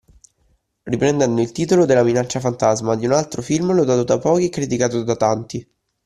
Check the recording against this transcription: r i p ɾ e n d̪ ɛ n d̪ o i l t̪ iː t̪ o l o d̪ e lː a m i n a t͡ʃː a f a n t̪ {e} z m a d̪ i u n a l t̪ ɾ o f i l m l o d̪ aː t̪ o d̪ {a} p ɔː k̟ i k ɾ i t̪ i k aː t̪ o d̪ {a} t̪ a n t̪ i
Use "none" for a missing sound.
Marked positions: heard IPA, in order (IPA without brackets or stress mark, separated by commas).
a, a, a